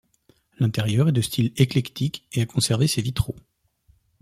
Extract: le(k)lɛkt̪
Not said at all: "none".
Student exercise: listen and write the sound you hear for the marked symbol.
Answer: k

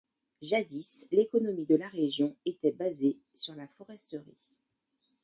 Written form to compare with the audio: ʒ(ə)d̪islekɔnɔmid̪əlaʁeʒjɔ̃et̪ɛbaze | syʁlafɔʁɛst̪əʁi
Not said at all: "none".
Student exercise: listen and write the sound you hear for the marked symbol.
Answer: a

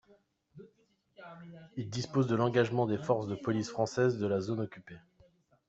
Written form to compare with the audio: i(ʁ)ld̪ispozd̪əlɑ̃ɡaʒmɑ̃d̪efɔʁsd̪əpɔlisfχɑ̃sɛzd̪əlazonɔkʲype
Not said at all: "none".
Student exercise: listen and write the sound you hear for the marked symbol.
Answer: none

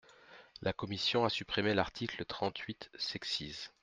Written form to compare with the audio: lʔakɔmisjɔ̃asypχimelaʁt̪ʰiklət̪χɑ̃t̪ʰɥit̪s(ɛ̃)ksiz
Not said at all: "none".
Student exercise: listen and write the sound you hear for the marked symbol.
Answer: ɛ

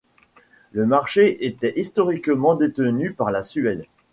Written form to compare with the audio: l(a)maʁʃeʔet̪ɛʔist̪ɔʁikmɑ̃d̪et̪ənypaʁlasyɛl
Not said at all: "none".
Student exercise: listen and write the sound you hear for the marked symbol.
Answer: ə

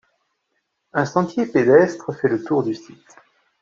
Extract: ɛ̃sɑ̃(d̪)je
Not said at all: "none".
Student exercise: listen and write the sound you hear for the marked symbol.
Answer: t̪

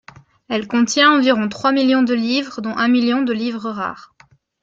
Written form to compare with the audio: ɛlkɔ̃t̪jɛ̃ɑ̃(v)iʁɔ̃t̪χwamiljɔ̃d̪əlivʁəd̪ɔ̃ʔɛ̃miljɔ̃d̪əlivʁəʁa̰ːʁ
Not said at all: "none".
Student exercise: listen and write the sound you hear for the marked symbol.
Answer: v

